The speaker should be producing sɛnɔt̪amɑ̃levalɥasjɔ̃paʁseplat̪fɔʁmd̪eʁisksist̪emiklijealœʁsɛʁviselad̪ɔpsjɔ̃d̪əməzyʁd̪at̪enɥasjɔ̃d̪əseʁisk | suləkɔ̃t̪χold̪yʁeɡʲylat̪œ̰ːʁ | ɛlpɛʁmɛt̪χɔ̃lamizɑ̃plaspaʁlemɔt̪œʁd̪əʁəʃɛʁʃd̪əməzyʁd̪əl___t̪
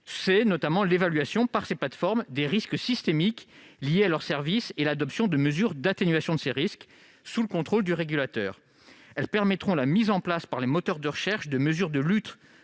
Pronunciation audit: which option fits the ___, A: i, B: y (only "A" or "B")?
B